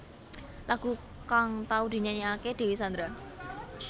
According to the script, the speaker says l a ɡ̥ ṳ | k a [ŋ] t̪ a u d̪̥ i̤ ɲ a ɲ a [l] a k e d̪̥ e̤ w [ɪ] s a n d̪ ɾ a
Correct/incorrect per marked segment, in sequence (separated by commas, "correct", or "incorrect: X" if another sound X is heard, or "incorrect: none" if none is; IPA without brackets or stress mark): correct, incorrect: none, incorrect: i